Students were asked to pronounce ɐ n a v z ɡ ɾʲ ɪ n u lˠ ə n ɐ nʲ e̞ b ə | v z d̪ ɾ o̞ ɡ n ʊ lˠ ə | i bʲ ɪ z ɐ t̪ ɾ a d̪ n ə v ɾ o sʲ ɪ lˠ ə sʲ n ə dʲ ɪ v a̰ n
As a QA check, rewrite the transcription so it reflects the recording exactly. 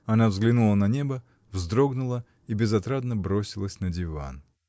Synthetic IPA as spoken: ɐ n a v z ɡ lʲ ɪ n u lˠ ə n ɐ nʲ e̞ b ə | v z d̪ ɾ o̞ ɡ n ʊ lˠ ə | i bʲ ɪ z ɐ t̪ ɾ a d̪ n ə b ɾ o sʲ ɪ lˠ ə sʲ n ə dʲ ɪ v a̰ n